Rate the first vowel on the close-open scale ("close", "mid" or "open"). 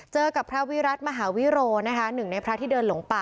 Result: mid